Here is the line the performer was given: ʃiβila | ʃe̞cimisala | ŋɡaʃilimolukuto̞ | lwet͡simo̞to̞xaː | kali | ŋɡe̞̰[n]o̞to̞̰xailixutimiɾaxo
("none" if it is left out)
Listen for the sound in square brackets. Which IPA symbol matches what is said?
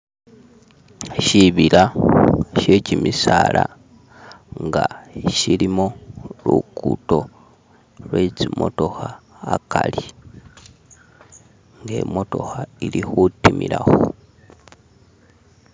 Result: m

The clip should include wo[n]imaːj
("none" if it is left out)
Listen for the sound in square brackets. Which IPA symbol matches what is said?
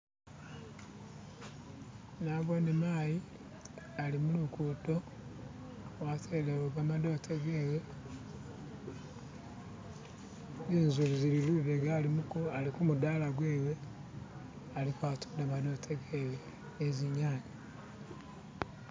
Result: n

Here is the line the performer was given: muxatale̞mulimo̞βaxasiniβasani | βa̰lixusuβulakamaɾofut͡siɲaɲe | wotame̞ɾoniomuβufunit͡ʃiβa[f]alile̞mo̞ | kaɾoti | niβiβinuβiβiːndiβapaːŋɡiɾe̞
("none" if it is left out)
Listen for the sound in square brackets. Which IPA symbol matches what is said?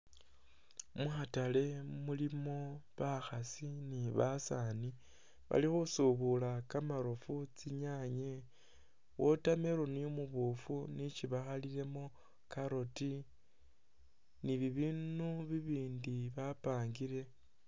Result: x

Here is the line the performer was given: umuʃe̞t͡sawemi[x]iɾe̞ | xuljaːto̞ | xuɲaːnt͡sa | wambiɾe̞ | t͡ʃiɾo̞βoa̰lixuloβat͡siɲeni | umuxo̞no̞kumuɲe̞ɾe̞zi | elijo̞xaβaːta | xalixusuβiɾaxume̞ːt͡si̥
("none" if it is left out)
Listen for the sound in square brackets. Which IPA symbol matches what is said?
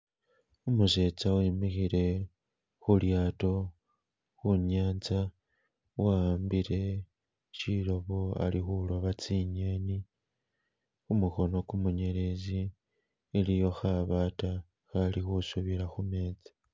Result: x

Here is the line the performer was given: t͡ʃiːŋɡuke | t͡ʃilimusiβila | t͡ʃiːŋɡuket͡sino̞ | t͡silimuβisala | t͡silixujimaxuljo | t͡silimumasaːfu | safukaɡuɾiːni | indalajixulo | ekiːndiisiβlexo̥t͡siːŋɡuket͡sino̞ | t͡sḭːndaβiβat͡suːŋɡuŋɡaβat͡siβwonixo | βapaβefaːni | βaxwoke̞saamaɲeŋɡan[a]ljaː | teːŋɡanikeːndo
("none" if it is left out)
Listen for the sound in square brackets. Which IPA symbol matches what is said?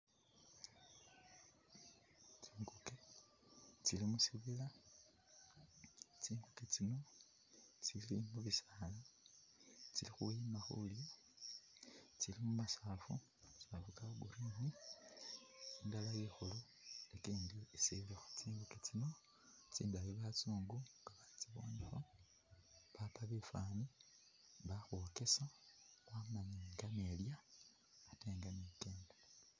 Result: e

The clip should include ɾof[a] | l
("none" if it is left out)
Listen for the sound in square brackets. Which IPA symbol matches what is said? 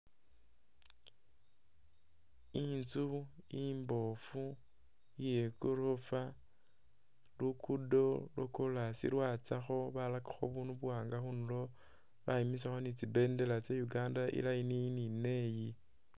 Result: a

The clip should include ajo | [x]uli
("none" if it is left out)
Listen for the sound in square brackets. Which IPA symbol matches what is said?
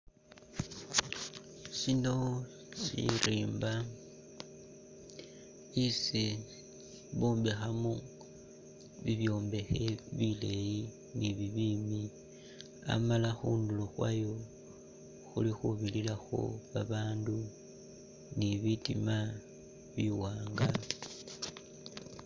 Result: x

